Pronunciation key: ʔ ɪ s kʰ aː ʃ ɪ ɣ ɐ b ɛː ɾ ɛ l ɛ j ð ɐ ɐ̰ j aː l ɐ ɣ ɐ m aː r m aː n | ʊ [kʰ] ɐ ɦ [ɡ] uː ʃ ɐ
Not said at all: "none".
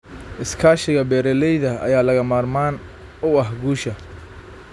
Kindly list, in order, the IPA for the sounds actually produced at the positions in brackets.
none, ɡ

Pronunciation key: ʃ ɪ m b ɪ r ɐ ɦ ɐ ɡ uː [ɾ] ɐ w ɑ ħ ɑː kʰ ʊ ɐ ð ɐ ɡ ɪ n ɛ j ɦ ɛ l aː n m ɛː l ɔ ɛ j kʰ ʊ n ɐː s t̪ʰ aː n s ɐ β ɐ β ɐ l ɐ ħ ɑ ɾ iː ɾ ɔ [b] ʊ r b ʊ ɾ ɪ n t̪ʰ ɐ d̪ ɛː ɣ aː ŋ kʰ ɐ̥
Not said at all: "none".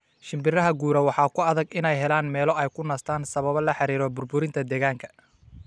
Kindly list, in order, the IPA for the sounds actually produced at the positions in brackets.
ɾ, b

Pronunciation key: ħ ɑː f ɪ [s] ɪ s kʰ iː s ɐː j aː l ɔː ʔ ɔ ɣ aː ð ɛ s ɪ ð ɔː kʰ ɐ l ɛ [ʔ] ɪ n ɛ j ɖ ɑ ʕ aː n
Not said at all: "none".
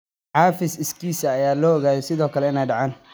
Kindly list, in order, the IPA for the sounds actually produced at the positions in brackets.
s, none

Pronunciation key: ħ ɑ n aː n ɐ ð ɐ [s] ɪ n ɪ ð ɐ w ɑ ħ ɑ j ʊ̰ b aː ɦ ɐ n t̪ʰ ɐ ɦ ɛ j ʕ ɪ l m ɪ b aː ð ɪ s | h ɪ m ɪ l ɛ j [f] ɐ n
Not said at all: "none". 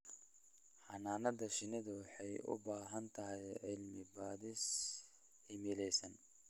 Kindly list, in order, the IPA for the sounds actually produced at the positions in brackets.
ʃ, s

